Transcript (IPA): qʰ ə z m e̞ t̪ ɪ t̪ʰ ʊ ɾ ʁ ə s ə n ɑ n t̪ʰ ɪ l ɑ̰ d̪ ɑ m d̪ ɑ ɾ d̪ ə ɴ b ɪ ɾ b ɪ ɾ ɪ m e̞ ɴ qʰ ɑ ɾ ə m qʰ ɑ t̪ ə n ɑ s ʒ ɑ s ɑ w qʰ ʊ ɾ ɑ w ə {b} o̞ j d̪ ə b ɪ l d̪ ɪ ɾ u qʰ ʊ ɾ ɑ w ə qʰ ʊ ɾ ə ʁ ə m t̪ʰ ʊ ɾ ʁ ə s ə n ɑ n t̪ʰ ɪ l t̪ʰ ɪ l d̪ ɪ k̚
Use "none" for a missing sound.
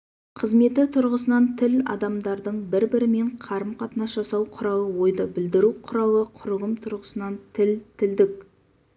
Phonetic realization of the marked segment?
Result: w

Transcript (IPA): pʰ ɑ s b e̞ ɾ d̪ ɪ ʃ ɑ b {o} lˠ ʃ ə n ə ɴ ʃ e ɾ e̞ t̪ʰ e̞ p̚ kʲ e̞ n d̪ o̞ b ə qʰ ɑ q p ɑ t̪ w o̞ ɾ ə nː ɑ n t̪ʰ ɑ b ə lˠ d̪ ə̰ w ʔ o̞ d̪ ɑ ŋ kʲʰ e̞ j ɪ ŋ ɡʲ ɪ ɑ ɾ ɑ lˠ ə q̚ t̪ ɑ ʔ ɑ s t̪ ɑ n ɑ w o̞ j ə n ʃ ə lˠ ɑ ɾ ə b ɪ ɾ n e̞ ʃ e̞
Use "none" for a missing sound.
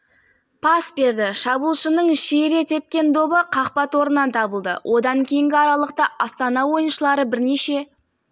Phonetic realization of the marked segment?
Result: u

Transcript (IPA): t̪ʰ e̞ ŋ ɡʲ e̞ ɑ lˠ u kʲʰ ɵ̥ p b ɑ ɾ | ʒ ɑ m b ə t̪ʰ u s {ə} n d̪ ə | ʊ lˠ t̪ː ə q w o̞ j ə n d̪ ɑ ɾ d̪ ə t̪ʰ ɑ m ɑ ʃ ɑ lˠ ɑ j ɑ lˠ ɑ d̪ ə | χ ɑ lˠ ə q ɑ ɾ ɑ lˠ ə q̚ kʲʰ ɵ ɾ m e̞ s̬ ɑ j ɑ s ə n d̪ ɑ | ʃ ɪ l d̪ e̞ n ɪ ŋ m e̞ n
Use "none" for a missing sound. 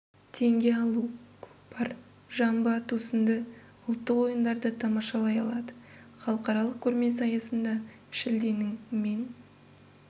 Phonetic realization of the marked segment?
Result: ə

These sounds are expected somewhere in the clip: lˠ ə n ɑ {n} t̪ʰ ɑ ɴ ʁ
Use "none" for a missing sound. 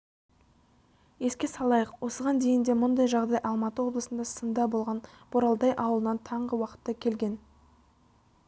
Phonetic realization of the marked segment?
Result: n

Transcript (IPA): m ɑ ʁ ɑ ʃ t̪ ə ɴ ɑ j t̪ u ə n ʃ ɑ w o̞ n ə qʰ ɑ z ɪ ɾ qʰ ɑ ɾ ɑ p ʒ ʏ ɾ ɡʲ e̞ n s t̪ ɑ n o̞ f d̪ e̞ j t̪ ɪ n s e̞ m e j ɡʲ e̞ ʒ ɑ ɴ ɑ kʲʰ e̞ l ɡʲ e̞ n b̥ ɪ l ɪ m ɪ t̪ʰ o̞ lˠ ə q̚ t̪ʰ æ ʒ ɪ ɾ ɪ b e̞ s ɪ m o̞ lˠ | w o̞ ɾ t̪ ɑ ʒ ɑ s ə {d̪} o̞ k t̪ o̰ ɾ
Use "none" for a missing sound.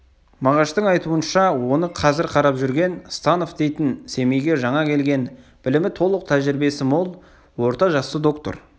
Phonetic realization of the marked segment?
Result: d̪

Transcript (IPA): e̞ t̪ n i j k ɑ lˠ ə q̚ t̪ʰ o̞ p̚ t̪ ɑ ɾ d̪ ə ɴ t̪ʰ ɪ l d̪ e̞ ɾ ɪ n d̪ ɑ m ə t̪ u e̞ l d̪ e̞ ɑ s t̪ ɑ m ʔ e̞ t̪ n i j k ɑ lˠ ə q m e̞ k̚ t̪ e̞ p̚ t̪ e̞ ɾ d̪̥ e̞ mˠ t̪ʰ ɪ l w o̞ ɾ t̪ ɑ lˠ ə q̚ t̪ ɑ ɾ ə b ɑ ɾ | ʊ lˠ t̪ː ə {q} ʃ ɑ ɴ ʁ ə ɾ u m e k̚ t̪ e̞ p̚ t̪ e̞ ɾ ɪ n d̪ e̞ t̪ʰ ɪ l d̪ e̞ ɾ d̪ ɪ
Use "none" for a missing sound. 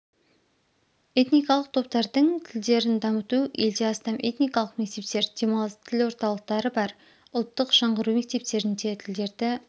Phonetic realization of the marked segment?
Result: q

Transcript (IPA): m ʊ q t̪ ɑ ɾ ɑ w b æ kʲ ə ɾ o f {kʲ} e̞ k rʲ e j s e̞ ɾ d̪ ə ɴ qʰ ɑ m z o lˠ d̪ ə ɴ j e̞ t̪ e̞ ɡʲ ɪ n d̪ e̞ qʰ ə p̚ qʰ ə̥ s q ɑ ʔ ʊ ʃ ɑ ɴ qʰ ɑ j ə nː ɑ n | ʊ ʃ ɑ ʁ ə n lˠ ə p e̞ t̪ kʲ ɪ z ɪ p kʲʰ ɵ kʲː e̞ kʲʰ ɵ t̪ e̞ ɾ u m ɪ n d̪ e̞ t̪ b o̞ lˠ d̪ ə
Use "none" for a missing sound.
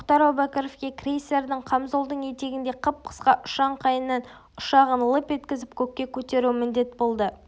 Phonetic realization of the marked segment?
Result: kʲ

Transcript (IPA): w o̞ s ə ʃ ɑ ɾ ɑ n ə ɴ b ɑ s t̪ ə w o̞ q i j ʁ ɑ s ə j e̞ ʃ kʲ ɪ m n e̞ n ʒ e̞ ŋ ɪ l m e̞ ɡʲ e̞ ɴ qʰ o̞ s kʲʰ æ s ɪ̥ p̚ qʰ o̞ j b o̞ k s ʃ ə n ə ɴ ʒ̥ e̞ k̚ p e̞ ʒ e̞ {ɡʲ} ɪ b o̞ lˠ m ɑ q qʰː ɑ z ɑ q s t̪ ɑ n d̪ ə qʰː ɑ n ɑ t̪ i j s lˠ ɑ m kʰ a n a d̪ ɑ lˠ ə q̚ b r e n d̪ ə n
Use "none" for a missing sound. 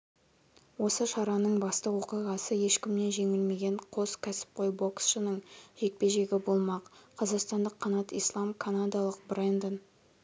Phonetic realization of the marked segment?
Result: ɡʲ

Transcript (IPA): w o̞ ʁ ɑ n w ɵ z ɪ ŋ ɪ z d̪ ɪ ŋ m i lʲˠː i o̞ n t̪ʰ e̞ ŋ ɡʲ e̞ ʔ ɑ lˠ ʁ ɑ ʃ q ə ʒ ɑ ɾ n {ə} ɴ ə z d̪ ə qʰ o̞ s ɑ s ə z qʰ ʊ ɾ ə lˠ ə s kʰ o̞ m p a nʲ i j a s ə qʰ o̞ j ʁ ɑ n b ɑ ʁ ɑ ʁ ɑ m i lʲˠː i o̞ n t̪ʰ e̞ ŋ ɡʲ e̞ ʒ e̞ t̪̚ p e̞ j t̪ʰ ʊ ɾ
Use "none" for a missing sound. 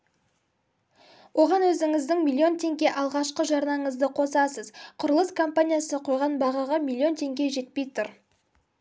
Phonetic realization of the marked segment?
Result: ɑ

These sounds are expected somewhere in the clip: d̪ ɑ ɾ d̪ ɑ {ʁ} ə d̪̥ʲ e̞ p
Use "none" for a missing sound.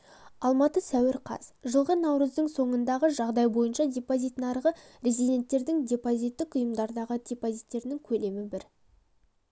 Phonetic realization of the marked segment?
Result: ʁ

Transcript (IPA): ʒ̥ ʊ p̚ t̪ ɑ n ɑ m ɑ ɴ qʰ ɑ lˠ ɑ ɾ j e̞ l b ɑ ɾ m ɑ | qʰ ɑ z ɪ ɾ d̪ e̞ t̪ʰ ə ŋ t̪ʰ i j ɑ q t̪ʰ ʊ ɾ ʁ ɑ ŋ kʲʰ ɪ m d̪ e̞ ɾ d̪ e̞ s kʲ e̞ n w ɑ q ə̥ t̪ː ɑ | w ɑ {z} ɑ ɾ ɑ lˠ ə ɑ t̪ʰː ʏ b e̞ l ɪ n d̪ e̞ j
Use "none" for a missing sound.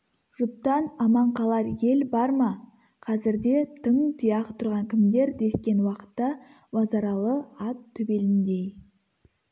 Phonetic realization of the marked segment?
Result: z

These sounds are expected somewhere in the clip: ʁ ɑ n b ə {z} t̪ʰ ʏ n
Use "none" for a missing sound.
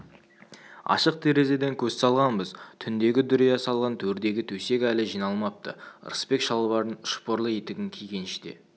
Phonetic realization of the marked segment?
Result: z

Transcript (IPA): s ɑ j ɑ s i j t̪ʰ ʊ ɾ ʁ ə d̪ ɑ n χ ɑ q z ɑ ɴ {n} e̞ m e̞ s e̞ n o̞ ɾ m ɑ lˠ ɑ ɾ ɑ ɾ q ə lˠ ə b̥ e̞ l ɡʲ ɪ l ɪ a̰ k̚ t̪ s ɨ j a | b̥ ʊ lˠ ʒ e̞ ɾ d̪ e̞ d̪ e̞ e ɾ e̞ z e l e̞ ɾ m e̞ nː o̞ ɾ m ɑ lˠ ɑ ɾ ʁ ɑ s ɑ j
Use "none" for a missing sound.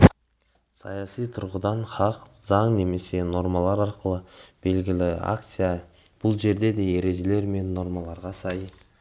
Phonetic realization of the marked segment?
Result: n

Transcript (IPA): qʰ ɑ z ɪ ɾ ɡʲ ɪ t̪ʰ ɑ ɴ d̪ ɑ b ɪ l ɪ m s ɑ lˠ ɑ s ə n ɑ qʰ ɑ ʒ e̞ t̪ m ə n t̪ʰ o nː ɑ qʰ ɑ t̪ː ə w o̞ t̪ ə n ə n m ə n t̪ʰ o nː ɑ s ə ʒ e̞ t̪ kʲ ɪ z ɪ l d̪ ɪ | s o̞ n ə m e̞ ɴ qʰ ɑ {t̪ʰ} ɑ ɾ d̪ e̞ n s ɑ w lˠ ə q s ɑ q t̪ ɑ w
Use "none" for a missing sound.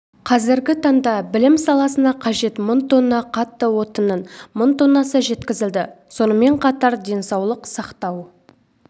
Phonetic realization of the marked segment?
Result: t̪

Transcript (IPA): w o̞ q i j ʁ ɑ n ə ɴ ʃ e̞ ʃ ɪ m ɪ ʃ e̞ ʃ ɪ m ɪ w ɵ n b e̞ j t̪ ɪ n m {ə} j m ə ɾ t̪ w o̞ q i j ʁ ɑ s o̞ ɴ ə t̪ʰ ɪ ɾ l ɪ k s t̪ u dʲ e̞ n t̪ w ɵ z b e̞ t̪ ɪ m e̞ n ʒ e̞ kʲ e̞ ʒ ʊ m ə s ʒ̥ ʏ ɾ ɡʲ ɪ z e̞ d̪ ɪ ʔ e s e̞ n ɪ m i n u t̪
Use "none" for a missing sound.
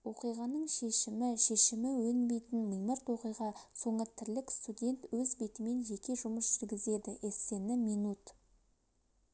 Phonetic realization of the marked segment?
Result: ə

